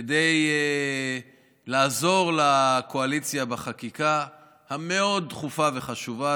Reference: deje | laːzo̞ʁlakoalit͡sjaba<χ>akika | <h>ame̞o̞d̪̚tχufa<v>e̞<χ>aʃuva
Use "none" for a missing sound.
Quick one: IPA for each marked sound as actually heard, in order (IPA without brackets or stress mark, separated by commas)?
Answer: χ, h, v, χ